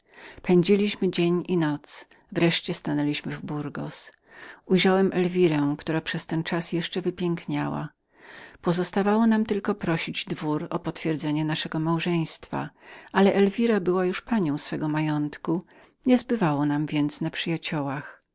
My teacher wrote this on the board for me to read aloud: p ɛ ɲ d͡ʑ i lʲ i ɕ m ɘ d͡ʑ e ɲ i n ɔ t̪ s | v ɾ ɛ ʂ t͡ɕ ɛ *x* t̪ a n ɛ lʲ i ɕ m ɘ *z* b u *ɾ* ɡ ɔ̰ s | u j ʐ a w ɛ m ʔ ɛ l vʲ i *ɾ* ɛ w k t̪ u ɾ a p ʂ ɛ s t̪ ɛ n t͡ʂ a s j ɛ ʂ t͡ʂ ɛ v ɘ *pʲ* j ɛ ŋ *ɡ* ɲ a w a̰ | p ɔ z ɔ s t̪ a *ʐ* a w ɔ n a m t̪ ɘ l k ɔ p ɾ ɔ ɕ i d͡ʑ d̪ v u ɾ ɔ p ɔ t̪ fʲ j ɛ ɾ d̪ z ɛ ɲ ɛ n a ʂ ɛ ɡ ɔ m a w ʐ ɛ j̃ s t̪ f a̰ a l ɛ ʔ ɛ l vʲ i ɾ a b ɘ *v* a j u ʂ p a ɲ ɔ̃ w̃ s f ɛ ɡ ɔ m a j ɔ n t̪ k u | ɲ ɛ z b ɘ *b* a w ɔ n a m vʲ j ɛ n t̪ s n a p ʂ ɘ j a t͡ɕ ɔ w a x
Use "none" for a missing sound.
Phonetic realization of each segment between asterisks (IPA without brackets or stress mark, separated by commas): s, v, ɾ, ɾ, pʲ, k, v, w, v